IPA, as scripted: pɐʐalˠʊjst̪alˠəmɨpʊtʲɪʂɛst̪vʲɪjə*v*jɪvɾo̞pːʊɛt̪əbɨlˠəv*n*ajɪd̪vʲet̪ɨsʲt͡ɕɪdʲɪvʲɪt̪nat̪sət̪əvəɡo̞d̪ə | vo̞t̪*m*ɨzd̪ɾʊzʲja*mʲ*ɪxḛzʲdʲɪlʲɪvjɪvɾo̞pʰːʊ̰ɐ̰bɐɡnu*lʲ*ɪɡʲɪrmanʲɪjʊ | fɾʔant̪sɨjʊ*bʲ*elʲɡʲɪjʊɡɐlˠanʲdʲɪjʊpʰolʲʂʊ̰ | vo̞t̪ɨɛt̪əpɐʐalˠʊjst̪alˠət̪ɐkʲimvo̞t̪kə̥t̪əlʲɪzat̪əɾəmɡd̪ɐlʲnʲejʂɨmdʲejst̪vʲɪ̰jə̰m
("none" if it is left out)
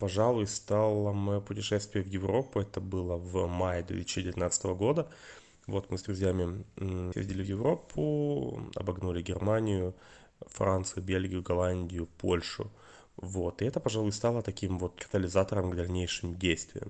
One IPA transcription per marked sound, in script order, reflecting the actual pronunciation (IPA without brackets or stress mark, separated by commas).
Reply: v, m, m, mʲ, lʲ, bʲ